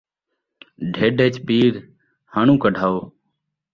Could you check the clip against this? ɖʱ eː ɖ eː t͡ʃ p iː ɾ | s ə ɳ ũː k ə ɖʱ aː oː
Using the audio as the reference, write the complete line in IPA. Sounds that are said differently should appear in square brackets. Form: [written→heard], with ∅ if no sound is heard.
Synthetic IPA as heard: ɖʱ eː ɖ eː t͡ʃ p iː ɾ | [s→h] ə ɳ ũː k ə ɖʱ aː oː